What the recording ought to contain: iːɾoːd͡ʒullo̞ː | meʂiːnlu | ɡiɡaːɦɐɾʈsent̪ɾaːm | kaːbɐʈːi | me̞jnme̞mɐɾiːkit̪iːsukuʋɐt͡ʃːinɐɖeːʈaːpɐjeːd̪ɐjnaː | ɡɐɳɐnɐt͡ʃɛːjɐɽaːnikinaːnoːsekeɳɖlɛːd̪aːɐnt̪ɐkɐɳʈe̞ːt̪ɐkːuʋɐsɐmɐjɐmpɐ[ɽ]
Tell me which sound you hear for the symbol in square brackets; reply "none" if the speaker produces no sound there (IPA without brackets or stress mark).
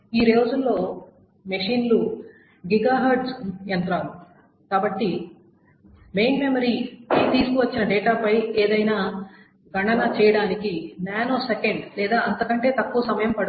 ɽ